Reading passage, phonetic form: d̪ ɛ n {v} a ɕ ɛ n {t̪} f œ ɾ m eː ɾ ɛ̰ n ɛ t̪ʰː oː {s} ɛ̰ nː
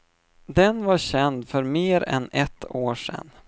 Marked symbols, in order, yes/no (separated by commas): yes, no, no